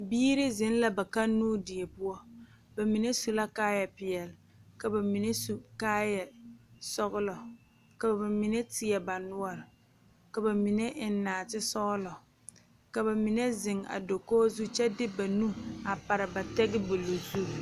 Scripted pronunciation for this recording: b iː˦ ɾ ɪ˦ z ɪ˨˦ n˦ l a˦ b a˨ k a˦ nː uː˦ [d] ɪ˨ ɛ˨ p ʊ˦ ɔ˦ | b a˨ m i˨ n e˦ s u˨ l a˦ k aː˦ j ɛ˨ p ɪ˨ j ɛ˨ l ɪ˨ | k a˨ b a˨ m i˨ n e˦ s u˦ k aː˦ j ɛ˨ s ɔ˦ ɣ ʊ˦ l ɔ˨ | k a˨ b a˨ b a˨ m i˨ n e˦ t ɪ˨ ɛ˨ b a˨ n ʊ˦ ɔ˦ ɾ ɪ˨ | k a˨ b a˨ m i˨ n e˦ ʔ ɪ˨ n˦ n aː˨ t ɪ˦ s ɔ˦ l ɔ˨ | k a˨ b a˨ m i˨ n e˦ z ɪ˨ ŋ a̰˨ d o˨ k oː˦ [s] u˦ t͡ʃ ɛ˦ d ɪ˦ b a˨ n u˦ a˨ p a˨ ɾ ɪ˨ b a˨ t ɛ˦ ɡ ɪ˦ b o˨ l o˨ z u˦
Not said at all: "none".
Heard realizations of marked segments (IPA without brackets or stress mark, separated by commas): d, z